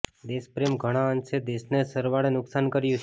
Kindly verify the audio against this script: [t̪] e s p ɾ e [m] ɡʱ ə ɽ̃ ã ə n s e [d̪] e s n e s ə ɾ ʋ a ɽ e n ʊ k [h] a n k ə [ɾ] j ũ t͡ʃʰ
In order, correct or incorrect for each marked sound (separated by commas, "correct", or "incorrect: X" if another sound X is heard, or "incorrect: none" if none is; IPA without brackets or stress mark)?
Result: incorrect: d̪, correct, correct, incorrect: s, correct